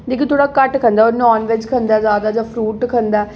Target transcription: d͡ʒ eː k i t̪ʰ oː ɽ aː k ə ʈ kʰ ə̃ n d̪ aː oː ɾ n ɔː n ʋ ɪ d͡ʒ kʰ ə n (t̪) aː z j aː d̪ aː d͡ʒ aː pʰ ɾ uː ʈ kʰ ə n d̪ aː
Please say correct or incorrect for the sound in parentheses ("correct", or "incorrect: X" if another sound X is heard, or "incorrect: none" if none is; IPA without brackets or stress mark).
incorrect: d̪